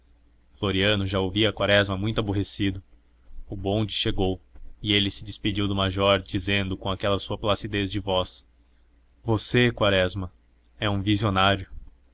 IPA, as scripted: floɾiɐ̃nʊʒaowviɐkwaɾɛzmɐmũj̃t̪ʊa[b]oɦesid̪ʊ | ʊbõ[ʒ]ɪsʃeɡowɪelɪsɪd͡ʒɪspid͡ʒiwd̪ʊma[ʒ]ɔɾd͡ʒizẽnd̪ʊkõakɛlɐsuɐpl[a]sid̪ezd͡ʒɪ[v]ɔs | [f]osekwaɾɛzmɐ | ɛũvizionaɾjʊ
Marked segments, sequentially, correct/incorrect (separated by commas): correct, incorrect, correct, correct, correct, incorrect